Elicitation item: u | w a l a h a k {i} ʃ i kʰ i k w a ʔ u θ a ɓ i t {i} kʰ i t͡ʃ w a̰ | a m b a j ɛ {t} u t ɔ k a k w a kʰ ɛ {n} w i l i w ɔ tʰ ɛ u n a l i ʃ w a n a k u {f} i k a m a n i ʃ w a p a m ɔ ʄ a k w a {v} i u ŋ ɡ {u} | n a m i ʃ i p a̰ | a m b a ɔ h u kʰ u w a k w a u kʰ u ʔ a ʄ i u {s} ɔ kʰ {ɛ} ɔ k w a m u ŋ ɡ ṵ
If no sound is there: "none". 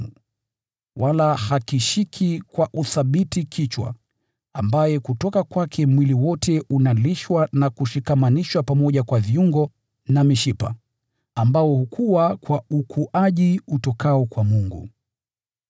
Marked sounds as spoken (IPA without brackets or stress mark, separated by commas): i, i, k, m, ʃ, v, ɔ, t, a